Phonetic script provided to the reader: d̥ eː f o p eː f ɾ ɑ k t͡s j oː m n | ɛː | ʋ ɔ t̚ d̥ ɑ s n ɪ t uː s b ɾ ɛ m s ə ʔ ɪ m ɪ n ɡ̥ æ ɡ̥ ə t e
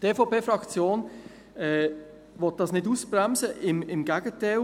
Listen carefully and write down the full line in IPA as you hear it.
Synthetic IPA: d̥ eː f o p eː f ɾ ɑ k t͡s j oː n | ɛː | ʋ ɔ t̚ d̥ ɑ s n ɪ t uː s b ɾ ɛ m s ə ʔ ɪ m ɪ m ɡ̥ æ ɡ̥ ə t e